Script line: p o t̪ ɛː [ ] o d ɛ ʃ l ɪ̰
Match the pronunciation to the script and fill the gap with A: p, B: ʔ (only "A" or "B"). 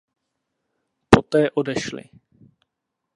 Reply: B